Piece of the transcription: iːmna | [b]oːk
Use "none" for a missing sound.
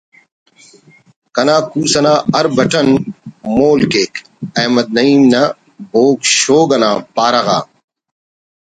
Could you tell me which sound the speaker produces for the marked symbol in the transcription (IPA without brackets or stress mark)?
b